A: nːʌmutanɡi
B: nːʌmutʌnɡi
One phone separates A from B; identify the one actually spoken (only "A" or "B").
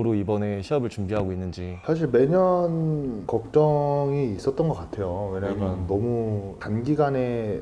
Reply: A